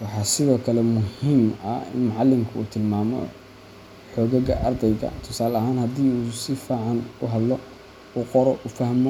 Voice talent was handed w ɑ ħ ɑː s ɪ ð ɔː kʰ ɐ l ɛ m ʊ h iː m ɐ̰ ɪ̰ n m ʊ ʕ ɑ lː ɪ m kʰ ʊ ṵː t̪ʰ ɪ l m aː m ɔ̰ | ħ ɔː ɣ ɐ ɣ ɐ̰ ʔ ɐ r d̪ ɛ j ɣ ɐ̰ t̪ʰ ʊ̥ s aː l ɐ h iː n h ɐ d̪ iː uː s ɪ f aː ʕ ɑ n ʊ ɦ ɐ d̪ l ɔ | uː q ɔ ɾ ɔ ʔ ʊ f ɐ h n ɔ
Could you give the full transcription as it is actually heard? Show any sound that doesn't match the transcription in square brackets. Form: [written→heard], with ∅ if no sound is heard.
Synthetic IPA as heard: w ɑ ħ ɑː s ɪ ð ɔː kʰ ɐ l ɛ m ʊ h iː m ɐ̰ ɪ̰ n m ʊ ʕ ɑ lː ɪ m kʰ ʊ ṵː t̪ʰ ɪ l m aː m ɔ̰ | ħ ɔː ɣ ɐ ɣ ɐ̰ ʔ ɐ r d̪ ɛ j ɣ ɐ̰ t̪ʰ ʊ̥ s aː l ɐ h [iː→aː] n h ɐ d̪ iː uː s ɪ f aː ʕ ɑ n ʊ ɦ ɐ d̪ l ɔ | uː q ɔ ɾ ɔ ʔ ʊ f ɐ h [n→m] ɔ